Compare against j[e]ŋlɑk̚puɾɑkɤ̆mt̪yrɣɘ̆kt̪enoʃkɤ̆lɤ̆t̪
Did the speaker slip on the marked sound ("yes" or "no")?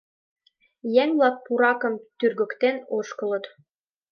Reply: yes